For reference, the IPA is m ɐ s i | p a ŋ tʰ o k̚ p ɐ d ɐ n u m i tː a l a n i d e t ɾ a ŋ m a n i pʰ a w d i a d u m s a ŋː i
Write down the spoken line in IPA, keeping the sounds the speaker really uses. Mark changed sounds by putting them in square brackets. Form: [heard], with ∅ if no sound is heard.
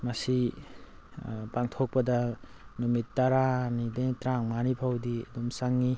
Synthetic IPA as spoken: m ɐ s i | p a ŋ tʰ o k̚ p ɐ d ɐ n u m i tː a [ɾ] a n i d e t ɾ a ŋ m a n i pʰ a w d i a d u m s a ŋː i